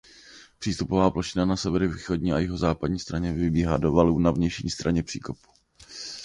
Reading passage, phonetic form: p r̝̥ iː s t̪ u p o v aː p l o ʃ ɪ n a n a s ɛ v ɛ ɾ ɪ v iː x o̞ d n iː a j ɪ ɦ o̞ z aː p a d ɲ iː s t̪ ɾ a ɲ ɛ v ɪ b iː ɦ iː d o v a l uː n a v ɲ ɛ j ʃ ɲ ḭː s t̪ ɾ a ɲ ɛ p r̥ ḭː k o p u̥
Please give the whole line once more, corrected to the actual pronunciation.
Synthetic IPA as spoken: p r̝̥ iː s t̪ u p o v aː p l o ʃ ɪ n a n a s ɛ v ɛ ɾ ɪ v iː x o̞ d ɲ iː a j ɪ ɦ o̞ z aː p a d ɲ iː s t̪ ɾ a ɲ ɛ v ɪ b iː ɦ aː d o v a l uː n a v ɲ ɛ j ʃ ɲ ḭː s t̪ ɾ a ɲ ɛ p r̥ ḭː k o p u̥